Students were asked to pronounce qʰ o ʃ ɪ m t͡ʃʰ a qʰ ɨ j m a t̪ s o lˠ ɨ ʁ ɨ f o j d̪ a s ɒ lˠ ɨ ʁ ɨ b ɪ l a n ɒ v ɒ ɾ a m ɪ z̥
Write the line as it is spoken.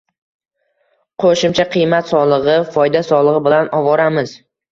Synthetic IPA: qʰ o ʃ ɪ m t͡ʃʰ a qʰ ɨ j m a t̪ s ɒ lˠ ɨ ʁ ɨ f ɒ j d̪ a s ɒ lˠ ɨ ʁ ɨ b ɪ l a n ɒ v ɒ ɾ a m ɪ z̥